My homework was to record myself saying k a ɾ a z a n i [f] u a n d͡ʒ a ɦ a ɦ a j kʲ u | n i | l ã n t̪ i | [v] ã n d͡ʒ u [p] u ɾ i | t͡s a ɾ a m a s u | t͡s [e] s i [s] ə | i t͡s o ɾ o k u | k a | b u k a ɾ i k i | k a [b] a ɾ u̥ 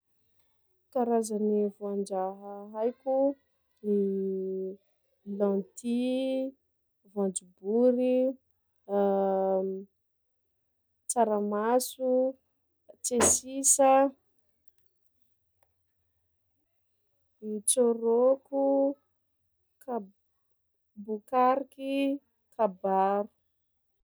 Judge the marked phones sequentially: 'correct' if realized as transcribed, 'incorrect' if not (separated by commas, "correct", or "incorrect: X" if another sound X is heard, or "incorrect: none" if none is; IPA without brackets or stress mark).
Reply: incorrect: v, correct, incorrect: b, correct, correct, correct